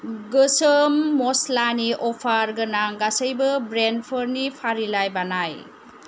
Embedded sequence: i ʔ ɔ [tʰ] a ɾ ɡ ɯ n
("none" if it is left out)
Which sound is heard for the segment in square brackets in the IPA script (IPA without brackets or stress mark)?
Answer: pʰ